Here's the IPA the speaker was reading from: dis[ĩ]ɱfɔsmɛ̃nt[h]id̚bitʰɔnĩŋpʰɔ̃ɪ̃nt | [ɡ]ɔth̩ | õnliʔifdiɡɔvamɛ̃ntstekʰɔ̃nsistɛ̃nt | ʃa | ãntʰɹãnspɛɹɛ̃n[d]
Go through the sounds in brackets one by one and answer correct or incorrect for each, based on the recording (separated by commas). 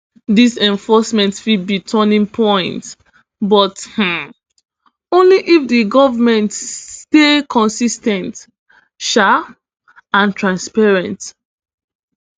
incorrect, incorrect, incorrect, incorrect